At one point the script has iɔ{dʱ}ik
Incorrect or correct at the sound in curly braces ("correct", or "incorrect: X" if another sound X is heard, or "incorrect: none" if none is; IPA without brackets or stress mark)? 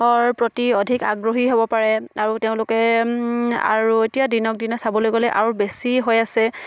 correct